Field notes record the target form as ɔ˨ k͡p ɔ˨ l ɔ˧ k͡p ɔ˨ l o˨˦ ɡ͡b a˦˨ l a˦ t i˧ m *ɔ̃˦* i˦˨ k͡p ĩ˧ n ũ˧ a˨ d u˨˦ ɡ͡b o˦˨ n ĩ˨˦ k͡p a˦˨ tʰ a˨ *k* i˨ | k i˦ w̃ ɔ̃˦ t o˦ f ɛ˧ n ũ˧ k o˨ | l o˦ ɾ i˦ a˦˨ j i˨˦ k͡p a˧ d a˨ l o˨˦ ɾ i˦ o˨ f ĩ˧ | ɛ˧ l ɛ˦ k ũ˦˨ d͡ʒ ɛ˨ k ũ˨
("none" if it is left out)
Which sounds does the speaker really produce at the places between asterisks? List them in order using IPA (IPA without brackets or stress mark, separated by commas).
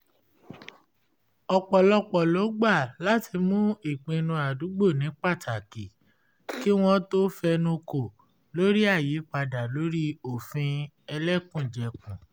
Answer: ũ˦, k